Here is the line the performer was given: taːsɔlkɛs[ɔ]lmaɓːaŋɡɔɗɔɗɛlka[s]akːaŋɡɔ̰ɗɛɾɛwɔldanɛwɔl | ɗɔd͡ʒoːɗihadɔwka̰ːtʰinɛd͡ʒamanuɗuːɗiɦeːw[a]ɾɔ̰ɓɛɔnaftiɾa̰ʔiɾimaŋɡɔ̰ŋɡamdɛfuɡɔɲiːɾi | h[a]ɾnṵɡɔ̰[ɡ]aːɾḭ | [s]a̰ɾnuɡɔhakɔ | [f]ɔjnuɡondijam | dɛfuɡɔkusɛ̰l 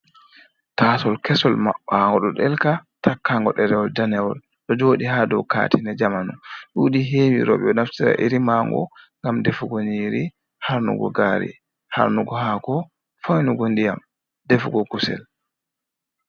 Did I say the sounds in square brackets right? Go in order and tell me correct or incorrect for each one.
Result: correct, incorrect, incorrect, correct, correct, incorrect, correct

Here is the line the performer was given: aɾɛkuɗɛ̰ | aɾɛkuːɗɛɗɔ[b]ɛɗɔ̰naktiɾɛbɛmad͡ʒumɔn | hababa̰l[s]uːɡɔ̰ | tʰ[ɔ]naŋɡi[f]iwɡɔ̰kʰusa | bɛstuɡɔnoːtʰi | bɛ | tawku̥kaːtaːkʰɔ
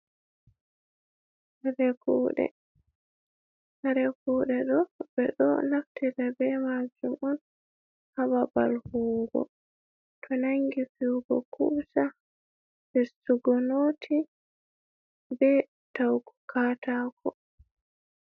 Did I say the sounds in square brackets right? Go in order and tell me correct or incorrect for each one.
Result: correct, incorrect, correct, correct

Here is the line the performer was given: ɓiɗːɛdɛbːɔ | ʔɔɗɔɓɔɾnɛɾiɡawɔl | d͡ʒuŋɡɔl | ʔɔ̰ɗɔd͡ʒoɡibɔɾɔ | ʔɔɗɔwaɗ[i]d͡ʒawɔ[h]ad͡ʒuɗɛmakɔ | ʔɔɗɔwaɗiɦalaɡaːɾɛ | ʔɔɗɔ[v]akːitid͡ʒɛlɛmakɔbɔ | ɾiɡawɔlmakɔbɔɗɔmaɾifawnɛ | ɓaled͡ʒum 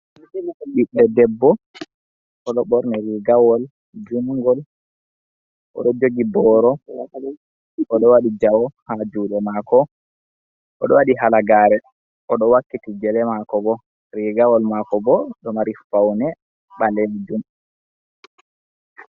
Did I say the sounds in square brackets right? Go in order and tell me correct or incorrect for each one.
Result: correct, correct, incorrect

